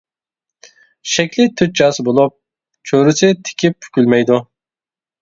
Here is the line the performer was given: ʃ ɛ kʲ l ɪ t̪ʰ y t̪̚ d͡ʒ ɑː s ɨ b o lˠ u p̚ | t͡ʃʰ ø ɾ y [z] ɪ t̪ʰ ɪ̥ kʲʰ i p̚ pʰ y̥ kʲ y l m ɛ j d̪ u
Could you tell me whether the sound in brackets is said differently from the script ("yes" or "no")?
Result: yes